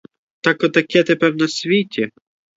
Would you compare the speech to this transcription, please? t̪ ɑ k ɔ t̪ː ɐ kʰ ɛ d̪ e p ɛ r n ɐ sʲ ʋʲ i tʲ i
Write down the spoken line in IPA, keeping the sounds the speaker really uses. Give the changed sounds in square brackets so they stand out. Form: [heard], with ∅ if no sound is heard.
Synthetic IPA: t̪ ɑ k ɔ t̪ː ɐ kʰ ɛ [t̪] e p ɛ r n ɐ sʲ ʋʲ i tʲ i